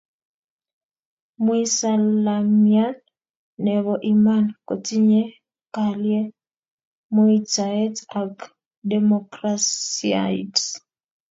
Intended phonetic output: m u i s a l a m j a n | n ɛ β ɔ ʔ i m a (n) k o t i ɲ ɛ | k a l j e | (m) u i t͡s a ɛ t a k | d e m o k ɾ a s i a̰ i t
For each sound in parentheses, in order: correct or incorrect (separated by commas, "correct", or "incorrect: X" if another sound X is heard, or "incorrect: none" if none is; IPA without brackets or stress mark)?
correct, correct